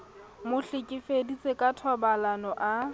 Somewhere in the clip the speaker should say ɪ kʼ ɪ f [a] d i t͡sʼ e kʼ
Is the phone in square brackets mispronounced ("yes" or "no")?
yes